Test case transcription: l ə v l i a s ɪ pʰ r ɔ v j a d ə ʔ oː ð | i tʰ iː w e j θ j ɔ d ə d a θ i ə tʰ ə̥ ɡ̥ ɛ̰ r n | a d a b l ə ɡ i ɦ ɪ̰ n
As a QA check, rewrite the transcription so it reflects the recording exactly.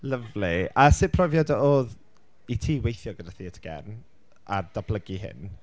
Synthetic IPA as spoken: l ə v l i a s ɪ pʰ r ɔ v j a d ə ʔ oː ð | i tʰ iː w e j θ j ɔ ɡ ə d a θ i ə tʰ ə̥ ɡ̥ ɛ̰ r n | a d a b l ə ɡ i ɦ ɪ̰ n